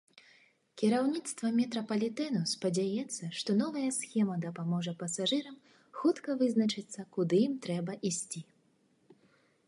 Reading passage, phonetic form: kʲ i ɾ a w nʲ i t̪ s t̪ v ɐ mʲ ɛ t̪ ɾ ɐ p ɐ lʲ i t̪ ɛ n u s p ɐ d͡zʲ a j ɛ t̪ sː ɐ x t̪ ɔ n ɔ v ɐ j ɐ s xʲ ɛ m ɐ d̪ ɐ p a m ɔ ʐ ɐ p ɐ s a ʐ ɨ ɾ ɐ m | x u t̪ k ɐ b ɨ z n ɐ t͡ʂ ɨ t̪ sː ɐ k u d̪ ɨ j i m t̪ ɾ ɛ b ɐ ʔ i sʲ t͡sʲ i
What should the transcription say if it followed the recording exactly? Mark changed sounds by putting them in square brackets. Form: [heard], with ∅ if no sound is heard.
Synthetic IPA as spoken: kʲ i ɾ a w nʲ i t̪ s t̪ v ɐ mʲ ɛ t̪ ɾ ɐ p ɐ lʲ i t̪ ɛ n u s p ɐ d͡zʲ a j ɛ t̪ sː ɐ [ʂ] t̪ ɔ n ɔ v ɐ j ɐ s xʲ ɛ m ɐ d̪ ɐ p a m ɔ ʐ ɐ p ɐ s a ʐ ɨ ɾ ɐ m | x u t̪ k ɐ [v] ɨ z n ɐ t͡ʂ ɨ t̪ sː ɐ k u d̪ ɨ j i m t̪ ɾ ɛ b ɐ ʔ i sʲ t͡sʲ i